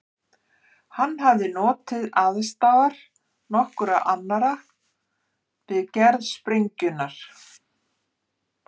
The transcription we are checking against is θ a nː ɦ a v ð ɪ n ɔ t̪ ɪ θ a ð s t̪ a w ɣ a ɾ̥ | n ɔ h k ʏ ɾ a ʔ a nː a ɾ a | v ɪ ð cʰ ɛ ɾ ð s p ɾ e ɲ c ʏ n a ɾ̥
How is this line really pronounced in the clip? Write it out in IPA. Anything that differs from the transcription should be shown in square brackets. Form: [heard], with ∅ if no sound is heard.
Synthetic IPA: [h] a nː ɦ a v ð ɪ n [ɔː] t̪ ɪ [ð] a ð s t̪ a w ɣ a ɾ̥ | n ɔ h k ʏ ɾ a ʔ a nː a ɾ a | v ɪ ð [c] ɛ ɾ ð s p ɾ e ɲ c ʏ n a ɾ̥